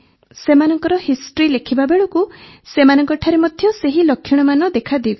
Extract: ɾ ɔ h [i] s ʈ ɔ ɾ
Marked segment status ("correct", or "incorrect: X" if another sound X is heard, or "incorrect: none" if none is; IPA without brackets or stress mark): correct